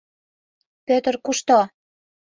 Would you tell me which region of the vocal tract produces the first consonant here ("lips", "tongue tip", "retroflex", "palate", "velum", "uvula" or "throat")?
lips